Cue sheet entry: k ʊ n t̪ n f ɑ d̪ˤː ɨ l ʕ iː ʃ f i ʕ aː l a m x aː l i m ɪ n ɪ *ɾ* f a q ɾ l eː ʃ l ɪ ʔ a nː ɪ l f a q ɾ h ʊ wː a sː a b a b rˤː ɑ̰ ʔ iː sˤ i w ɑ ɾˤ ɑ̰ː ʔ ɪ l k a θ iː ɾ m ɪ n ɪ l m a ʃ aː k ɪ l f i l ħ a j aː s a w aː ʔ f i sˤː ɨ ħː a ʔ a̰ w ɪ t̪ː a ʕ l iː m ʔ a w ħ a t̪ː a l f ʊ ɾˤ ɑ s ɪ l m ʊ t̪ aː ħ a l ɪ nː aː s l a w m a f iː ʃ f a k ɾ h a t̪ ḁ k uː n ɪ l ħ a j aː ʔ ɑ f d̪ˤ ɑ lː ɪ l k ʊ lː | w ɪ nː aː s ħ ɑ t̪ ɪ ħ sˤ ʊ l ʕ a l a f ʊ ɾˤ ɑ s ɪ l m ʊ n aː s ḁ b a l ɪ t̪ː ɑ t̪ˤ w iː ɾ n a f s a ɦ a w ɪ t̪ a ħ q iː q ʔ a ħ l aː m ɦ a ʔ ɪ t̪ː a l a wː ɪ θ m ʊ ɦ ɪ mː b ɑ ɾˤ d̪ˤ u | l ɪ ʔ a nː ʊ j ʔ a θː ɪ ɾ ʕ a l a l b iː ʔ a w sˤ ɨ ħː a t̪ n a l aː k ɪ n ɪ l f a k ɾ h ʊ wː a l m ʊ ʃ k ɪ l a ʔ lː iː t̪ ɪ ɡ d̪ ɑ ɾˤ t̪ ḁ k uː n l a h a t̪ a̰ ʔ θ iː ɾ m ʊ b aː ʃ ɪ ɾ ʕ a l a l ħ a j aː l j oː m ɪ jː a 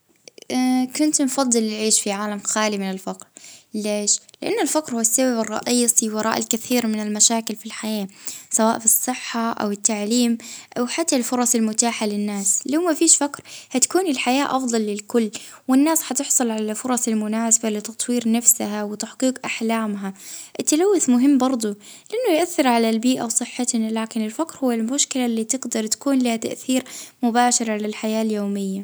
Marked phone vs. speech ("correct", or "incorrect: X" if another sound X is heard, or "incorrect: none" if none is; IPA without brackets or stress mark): incorrect: l